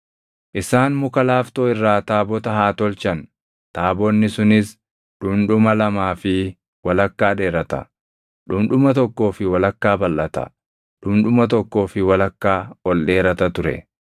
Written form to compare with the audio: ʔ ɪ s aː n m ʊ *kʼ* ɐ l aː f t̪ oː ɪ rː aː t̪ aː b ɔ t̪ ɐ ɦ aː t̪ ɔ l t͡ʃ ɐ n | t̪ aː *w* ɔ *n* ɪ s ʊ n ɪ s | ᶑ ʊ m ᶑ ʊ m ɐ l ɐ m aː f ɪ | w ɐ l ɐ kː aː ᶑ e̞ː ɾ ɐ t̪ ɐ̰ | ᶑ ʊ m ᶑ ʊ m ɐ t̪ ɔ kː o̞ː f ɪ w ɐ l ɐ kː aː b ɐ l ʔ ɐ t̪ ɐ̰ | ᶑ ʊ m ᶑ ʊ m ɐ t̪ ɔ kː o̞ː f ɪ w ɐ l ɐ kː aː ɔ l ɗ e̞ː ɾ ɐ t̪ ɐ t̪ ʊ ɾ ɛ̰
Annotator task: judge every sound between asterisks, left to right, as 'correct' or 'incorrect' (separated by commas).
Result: incorrect, incorrect, incorrect